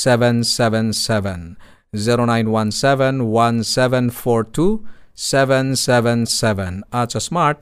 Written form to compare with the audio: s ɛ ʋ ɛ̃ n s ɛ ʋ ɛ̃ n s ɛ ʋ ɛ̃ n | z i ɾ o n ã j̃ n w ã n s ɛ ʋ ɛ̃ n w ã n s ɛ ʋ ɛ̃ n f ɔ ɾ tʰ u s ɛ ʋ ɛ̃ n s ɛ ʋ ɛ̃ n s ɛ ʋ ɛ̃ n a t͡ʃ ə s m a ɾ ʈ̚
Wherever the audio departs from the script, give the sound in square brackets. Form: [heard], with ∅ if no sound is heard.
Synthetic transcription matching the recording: s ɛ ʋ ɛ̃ n s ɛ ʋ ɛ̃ n s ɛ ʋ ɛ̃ n | z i ɾ o n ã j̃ n w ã n s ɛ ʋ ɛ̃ n w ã n s ɛ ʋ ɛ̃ n f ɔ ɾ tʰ u s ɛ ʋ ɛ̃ n s ɛ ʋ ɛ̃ n s ɛ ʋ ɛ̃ n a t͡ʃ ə s m a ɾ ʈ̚